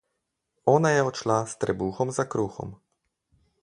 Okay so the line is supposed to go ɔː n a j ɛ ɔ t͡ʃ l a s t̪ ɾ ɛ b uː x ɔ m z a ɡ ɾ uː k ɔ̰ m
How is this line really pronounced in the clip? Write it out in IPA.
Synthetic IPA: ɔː n a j ɛ ɔ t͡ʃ l a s t̪ ɾ ɛ b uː x ɔ m z a k ɾ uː x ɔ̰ m